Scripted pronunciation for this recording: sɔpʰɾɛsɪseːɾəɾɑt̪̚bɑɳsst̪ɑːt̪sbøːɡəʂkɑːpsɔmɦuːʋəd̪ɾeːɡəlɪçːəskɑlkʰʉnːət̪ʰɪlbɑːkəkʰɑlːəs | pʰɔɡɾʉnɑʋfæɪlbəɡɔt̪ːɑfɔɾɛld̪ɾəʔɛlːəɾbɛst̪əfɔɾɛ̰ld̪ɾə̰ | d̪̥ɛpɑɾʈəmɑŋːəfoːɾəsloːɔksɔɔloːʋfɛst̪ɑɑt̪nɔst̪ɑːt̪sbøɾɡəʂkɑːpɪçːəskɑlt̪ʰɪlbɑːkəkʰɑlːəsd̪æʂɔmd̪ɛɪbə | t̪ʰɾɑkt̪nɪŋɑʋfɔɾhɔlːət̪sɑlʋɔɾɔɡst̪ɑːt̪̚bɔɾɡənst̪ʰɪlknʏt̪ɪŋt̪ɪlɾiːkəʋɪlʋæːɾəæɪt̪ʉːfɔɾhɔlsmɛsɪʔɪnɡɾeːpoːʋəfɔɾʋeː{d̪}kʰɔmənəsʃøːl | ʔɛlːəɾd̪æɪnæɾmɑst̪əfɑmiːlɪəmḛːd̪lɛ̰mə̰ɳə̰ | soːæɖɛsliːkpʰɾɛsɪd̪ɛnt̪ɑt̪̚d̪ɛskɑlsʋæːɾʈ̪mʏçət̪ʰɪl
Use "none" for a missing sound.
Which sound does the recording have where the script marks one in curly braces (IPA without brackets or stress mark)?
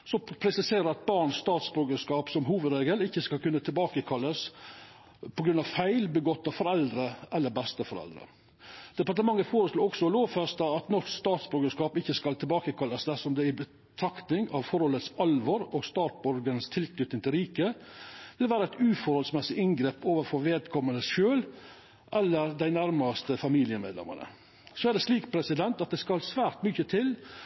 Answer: d̪